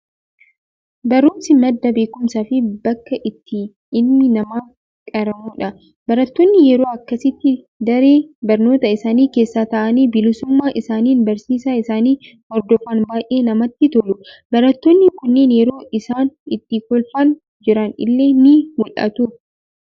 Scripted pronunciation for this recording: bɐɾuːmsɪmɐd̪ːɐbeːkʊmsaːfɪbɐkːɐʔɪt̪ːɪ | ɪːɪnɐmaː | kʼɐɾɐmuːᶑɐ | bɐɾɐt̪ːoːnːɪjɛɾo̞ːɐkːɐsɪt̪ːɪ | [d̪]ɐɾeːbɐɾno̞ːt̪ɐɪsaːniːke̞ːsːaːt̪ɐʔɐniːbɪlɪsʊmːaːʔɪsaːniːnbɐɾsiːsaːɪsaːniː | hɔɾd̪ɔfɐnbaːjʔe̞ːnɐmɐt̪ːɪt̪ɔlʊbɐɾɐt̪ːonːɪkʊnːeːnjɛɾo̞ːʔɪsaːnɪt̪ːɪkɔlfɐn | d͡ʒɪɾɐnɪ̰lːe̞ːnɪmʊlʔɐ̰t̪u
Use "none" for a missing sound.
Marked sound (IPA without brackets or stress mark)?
d̪